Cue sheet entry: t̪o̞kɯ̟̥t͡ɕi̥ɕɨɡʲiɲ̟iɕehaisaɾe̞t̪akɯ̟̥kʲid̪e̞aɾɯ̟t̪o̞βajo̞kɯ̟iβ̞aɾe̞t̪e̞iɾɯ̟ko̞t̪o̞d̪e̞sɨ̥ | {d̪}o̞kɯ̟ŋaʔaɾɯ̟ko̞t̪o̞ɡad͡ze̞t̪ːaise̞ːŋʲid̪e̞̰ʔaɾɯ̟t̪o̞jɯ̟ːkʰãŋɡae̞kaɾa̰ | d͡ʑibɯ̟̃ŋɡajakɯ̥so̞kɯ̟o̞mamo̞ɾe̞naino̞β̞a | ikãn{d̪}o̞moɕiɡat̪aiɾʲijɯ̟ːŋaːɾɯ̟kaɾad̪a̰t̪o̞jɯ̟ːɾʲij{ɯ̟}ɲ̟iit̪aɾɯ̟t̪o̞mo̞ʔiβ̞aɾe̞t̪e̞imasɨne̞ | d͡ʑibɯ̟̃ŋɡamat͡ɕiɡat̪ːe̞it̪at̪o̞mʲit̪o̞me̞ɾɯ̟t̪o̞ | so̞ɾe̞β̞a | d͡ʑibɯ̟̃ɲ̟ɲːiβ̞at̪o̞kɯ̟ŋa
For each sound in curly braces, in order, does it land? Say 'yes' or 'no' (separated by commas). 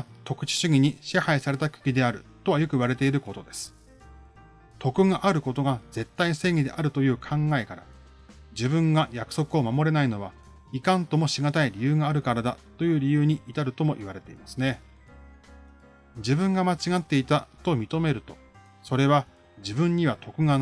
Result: no, no, no